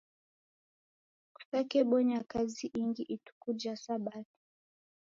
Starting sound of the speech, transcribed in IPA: k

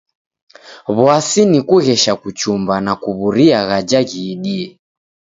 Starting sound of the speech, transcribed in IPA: β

